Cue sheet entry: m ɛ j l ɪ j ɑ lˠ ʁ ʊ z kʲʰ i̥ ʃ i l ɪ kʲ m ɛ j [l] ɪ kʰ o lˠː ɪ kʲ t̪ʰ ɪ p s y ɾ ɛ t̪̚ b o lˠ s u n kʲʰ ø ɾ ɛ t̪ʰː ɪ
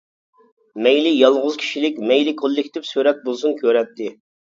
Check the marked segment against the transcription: correct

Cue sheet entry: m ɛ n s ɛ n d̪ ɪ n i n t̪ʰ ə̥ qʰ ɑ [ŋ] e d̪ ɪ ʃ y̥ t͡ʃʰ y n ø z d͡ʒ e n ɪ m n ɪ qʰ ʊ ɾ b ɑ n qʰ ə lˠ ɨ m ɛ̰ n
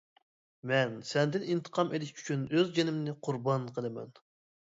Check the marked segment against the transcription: incorrect: m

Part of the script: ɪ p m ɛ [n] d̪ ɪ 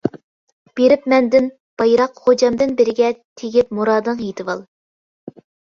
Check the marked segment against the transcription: correct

